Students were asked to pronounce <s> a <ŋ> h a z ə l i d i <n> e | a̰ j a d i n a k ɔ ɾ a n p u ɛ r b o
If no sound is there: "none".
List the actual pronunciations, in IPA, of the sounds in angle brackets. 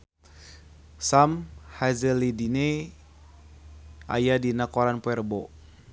s, m, n

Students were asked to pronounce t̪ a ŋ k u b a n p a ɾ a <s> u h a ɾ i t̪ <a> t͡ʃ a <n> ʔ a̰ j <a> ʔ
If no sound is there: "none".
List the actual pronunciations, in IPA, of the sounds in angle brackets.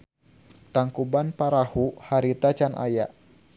h, a, n, a

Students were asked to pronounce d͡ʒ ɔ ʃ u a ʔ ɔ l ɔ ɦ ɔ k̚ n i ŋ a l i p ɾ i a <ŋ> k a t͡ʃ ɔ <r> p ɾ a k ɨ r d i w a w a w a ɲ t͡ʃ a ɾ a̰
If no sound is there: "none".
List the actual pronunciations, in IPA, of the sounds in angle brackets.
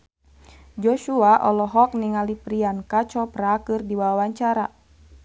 n, none

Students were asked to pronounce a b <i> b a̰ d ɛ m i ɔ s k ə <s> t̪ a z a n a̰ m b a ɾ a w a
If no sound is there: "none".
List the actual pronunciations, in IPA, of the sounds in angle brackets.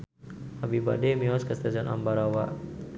i, s

